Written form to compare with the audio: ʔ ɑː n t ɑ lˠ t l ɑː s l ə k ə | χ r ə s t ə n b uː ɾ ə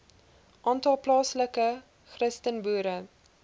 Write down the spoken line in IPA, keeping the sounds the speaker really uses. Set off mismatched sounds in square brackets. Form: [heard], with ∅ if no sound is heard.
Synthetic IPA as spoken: ʔ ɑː n t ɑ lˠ [p] l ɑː s l ə k ə | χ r ə s t ə n b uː ɾ ə